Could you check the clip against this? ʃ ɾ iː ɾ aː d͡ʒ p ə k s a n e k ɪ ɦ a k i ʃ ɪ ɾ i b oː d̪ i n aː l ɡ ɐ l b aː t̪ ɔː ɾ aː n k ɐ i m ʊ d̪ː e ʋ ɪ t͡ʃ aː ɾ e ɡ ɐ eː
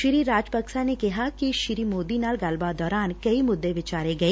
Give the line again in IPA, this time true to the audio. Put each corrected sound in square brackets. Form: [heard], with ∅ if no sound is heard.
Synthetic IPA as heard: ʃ ɾ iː ɾ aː d͡ʒ p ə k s a n e k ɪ ɦ a k i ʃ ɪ ɾ i [m] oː d̪ i n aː l ɡ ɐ l b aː [d̪] ɔː ɾ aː n k ɐ i m ʊ d̪ː e ʋ ɪ t͡ʃ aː ɾ e ɡ ɐ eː

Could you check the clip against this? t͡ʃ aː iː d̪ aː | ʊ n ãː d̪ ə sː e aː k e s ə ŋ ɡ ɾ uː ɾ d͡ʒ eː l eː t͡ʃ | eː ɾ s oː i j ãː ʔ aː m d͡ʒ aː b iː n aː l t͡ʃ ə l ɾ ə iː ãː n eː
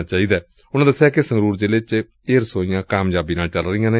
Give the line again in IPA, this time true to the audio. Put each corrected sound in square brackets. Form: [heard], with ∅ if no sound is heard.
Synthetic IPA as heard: t͡ʃ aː iː d̪ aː | ʊ n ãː d̪ ə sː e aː k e s ə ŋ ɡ ɾ uː ɾ d͡ʒ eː l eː t͡ʃ | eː ɾ s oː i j ãː [k] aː m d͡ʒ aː b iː n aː l t͡ʃ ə l ɾ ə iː ãː n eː

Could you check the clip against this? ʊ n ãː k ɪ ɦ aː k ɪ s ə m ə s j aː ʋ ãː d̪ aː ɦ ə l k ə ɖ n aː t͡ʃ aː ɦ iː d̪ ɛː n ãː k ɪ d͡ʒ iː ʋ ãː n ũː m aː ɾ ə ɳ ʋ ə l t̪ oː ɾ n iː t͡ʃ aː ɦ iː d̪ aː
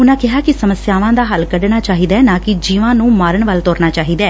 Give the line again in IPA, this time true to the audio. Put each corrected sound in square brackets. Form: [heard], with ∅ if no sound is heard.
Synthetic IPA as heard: ʊ n ãː k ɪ ɦ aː k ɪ s ə m ə s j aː ʋ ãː d̪ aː ɦ ə l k ə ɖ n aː t͡ʃ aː ɦ iː d̪ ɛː n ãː k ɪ d͡ʒ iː ʋ ãː n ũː m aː ɾ ə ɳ ʋ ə l t̪ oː ɾ n [aː] t͡ʃ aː ɦ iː d̪ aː

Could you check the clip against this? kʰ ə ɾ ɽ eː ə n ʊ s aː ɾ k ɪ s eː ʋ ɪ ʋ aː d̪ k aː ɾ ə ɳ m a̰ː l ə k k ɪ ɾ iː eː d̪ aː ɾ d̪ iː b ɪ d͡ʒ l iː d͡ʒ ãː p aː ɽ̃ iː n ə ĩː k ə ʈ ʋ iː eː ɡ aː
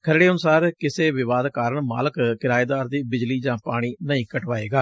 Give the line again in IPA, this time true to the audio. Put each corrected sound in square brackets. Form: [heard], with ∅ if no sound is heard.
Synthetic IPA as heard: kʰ ə ɾ ɽ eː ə n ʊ s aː ɾ k ɪ s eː ʋ ɪ ʋ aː d̪ k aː ɾ ə ɳ m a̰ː l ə k k ɪ ɾ [aː] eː d̪ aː ɾ d̪ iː b ɪ d͡ʒ l iː d͡ʒ ãː p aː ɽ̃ iː n ə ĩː k ə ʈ ʋ [aː] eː ɡ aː

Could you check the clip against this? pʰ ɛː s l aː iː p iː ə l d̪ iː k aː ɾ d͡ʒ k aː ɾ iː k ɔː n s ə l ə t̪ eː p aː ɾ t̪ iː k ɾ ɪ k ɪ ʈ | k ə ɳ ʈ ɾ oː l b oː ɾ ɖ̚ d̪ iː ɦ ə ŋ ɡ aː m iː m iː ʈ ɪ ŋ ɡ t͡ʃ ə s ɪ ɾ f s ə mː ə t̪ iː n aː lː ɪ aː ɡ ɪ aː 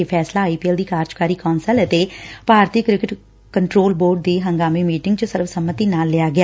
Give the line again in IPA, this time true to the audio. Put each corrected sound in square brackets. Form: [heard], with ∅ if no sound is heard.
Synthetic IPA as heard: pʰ ɛː s l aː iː p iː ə l d̪ iː k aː ɾ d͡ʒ k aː ɾ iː k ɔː n s ə l ə t̪ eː p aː ɾ t̪ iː k ɾ ɪ k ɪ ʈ | k ə ɳ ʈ ɾ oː l b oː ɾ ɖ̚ d̪ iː ɦ ə ŋ ɡ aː m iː m iː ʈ ɪ ŋ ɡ t͡ʃ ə s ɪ ɾ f s ə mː ə t̪ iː n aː lː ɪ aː ɡ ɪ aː

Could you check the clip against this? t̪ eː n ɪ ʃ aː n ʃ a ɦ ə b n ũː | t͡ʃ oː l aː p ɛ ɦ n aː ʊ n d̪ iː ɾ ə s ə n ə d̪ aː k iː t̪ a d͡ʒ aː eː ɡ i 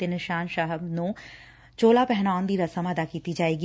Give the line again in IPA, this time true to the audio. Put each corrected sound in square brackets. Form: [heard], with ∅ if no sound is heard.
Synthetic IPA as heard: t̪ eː n ɪ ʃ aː n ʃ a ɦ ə b n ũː | t͡ʃ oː l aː p ɛ ɦ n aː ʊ n d̪ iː ɾ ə s ə [m] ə d̪ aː k iː t̪ [i] d͡ʒ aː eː ɡ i

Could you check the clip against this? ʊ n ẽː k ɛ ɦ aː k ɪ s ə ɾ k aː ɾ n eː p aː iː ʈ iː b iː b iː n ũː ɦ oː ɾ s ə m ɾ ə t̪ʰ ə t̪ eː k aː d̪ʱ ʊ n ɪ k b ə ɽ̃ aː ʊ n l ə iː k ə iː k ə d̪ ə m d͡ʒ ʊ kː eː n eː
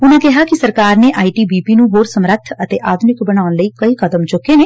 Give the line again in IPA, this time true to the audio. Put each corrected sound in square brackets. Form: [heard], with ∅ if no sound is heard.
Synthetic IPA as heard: ʊ n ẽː k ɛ ɦ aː k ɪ s ə ɾ k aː ɾ n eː [ʔ] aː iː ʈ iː b iː [p] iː n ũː ɦ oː ɾ s ə m ɾ ə t̪ʰ ə t̪ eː [ʔ] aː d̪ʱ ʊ n ɪ k b ə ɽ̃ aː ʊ n l ə iː k ə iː k ə d̪ ə m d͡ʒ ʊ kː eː n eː

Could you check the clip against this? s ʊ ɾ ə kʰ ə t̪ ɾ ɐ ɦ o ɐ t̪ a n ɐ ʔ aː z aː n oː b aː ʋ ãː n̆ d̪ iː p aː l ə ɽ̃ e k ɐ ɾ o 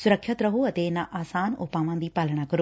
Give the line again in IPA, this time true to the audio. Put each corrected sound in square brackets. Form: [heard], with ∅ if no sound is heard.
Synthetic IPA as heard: s ʊ ɾ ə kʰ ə t̪ ɾ ɐ ɦ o ɐ t̪ [e] n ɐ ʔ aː [s] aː n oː [p] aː ʋ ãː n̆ d̪ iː p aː l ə ɽ̃ [a] k ɐ ɾ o

